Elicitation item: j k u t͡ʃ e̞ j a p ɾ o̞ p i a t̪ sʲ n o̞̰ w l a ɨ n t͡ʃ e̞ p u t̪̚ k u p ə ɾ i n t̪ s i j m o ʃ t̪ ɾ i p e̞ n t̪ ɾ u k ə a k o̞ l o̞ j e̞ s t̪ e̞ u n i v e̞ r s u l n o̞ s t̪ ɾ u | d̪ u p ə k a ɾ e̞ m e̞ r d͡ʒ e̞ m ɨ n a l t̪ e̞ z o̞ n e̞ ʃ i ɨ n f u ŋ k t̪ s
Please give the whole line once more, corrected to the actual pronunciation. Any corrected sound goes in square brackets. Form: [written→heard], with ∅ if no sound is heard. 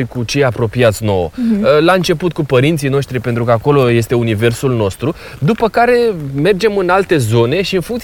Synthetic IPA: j k u t͡ʃ e̞ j a p ɾ o̞ p i a t̪ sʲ n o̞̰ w l a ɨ n t͡ʃ e̞ p u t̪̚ k u p ə ɾ i n t̪ s i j [m→n] o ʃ t̪ ɾ i p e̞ n t̪ ɾ u k ə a k o̞ l o̞ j e̞ s t̪ e̞ u n i v e̞ r s u l n o̞ s t̪ ɾ u | d̪ u p ə k a ɾ e̞ m e̞ r d͡ʒ e̞ m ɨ n a l t̪ e̞ z o̞ n e̞ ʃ i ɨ n f u ŋ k t̪ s